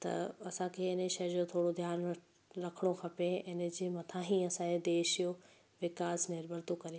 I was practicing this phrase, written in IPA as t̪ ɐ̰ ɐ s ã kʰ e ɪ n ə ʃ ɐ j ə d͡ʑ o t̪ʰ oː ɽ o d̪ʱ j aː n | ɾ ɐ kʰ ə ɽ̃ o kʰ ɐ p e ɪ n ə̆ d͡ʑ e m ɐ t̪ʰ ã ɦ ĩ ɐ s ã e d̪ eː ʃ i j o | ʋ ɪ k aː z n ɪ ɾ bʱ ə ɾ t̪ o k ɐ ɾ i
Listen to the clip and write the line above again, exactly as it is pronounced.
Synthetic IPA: t̪ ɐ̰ ɐ s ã kʰ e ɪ n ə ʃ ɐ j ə d͡ʑ o t̪ʰ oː ɽ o d̪ʱ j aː n | ɾ ɐ kʰ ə ɽ̃ o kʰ ɐ p e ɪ n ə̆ d͡ʑ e m ɐ t̪ʰ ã ɦ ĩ ɐ s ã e d̪ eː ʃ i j o | ʋ ɪ k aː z n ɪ ɾ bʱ ə ɾ t̪ o k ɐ ɾ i